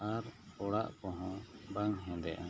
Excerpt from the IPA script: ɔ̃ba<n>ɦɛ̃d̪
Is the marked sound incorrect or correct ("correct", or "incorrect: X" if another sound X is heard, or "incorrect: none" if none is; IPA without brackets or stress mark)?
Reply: incorrect: ŋ